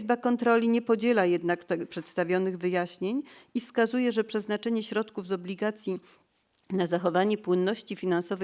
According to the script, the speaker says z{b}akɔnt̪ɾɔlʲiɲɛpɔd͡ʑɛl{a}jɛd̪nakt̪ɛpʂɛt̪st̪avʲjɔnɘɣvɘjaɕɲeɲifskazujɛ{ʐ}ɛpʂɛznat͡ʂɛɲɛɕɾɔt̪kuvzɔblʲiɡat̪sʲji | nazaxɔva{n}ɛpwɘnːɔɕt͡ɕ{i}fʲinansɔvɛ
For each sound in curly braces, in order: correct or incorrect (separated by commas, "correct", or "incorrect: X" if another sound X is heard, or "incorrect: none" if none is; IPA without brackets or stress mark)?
correct, correct, correct, incorrect: ɲ, correct